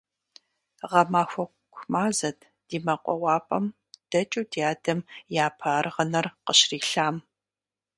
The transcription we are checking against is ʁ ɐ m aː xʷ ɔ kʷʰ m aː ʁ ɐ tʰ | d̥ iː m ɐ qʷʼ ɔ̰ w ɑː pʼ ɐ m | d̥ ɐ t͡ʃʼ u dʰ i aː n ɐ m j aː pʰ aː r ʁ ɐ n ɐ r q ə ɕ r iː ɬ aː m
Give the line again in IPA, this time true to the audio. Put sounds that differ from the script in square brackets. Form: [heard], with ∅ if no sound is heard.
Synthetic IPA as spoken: ʁ ɐ m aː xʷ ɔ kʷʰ m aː [z] ɐ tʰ | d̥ iː m ɐ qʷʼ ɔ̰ w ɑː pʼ ɐ m | d̥ ɐ t͡ʃʼ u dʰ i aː [d] ɐ m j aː pʰ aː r ʁ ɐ n ɐ r q ə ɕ r iː ɬ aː m